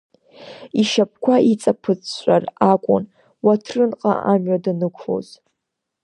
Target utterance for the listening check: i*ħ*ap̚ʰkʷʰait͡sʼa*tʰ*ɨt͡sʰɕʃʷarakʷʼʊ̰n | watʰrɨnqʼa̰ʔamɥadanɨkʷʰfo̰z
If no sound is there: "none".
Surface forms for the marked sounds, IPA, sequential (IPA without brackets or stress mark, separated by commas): ʃ, pʰ